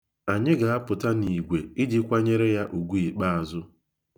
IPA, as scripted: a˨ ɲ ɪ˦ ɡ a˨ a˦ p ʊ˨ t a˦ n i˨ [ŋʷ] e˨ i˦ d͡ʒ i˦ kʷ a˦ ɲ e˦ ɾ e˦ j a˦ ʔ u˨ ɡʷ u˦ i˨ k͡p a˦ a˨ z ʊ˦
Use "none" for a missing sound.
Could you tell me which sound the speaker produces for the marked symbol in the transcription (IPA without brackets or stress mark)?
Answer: ɡʷ